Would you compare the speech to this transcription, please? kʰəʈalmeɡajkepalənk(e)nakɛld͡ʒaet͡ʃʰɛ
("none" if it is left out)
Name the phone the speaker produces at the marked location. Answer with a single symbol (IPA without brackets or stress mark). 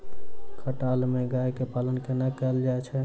e